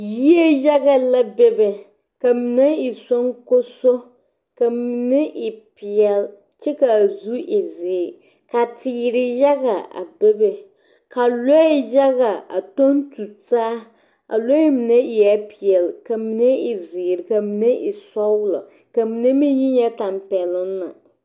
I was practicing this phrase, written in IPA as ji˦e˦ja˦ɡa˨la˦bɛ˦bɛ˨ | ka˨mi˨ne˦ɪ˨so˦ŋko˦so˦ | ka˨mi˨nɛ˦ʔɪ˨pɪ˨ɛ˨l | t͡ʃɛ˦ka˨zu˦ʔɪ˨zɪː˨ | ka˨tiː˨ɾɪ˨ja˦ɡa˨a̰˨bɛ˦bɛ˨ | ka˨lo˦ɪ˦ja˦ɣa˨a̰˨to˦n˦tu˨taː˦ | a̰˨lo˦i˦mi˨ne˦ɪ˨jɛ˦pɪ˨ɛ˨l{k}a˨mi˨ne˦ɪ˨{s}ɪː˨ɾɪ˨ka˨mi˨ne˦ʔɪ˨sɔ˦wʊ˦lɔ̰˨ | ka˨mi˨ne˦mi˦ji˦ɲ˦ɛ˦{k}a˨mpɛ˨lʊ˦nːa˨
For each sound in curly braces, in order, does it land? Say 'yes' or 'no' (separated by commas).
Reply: yes, no, no